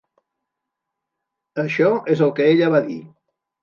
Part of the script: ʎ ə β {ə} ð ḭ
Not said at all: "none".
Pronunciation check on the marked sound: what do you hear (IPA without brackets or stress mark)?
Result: a